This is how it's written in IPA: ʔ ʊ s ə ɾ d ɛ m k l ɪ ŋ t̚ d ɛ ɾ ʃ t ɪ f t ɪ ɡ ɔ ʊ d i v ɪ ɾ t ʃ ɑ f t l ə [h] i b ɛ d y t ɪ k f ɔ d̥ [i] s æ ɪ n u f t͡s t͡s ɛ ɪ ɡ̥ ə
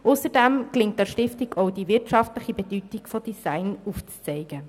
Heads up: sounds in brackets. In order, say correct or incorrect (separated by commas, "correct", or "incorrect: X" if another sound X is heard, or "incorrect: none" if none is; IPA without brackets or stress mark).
incorrect: χ, correct